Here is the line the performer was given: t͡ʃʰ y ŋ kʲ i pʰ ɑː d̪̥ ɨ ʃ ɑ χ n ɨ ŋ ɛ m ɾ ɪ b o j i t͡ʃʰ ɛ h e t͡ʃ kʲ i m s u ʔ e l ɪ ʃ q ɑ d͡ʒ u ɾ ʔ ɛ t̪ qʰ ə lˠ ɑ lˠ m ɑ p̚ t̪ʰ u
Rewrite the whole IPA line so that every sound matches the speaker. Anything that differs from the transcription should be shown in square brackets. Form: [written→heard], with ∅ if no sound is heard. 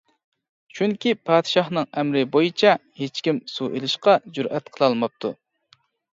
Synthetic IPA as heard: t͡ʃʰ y ŋ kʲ i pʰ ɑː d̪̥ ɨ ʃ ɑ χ n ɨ ŋ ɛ m ɾ ɪ b o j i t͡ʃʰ ɛ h e t͡ʃ kʲ i m s u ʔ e l ɪ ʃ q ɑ d͡ʒ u ɾ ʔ ɛ t̪ qʰ ə lˠ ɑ lˠ m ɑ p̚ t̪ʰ u